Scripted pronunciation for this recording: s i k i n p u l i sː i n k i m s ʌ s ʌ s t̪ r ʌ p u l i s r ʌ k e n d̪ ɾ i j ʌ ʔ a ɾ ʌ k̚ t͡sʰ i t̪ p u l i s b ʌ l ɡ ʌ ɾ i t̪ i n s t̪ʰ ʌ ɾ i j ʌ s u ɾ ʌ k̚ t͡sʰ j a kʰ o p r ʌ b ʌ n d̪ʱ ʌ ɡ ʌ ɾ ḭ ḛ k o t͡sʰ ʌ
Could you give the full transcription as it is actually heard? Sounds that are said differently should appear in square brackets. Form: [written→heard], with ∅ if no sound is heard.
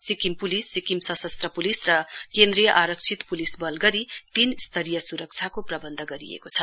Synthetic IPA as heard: s i k i [n→m] p u l i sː i [n→∅] k i m s ʌ s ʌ s t̪ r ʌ p u l i s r ʌ k e n d̪ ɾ i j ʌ ʔ a ɾ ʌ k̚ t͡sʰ i t̪ p u l i s b ʌ l ɡ ʌ ɾ i t̪ i n s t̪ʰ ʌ ɾ i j ʌ s u ɾ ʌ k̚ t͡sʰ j a [kʰ→k] o p r ʌ b ʌ n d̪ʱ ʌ ɡ ʌ ɾ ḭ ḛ k o t͡sʰ ʌ